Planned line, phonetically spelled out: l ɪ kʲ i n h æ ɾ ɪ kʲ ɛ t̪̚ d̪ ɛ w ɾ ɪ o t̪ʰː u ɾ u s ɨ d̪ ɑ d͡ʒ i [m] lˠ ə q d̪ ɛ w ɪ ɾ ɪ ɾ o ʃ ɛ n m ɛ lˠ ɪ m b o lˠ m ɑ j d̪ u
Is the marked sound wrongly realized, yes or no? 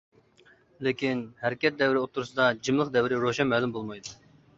no